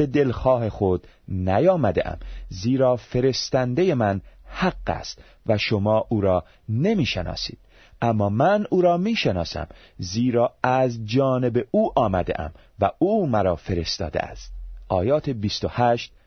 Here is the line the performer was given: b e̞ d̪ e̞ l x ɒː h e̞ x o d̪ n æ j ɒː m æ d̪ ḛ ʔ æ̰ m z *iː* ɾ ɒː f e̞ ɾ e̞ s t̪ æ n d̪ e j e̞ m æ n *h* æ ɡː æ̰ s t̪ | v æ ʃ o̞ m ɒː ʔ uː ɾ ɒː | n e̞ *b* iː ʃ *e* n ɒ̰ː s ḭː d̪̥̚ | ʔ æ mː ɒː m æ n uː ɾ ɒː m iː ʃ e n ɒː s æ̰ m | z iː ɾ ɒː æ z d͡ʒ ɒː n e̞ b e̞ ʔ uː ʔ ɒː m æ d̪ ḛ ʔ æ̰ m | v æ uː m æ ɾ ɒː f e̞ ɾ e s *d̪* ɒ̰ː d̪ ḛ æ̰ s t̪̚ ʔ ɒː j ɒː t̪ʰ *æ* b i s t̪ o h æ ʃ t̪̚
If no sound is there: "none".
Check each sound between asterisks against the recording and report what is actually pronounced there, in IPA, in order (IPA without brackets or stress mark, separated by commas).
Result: iː, h, m, e, t̪, e